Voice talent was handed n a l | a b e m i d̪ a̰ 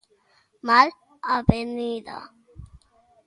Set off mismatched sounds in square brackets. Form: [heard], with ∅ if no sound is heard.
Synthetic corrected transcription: [m] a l | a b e [n] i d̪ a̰